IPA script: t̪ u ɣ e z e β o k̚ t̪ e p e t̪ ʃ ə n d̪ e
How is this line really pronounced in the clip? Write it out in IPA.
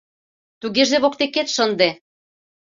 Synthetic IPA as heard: t̪ u ɣ e ʒ e β o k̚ t̪ e k e t̪ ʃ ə n d̪ e